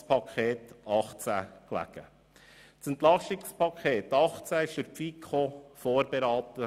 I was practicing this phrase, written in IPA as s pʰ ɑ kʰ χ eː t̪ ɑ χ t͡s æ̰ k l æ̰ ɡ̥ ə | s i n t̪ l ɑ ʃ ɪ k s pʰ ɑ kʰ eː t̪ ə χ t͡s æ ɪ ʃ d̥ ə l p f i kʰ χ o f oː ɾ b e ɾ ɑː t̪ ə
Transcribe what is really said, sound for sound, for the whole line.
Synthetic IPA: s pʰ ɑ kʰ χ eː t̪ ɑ χ t͡s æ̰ k l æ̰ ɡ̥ ə | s ɛ n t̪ l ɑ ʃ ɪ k s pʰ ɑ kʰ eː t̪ ɑ χ t͡s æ ɪ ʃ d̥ ə ɾ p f i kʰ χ o f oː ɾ b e ɾ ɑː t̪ ə